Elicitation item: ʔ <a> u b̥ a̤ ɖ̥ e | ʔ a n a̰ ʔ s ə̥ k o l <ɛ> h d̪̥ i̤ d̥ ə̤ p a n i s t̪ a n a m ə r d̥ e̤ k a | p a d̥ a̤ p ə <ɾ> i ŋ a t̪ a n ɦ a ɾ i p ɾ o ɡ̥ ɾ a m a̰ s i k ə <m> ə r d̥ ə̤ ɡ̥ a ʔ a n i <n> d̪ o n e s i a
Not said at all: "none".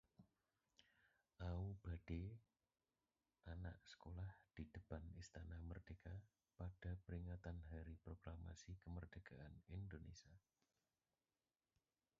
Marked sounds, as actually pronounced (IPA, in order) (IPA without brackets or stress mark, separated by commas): a, a, ɾ, m, n